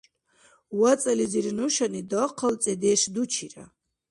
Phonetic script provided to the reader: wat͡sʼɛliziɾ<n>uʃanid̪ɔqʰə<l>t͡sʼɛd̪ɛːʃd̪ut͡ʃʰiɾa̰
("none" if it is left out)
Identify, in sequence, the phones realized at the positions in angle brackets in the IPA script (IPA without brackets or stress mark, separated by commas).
n, l